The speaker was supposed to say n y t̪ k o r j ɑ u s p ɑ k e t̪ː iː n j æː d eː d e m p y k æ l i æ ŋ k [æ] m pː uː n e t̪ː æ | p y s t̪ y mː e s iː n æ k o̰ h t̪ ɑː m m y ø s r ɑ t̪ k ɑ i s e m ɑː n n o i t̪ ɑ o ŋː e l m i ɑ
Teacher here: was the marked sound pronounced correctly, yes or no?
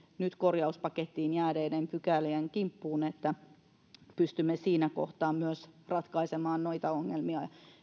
no